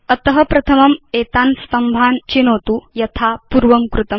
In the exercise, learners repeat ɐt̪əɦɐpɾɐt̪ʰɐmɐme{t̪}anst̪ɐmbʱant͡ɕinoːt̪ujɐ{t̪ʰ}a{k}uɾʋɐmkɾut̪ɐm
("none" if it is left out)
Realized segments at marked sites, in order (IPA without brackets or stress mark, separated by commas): t̪, t̪ʰ, p